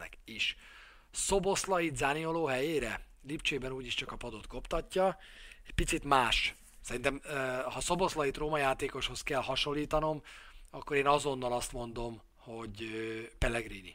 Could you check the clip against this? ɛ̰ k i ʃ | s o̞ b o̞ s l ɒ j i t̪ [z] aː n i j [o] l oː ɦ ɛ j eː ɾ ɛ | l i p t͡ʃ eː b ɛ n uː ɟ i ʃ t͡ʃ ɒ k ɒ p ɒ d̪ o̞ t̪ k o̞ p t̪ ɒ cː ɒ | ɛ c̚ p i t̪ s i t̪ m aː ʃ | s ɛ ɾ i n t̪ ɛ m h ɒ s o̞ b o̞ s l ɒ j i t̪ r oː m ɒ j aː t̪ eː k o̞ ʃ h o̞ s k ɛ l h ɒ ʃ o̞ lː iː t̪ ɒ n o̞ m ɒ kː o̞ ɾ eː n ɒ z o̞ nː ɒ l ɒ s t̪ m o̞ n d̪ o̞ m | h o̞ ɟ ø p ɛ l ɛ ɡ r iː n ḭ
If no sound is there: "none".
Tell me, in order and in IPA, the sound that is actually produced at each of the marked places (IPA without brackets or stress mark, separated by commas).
z, o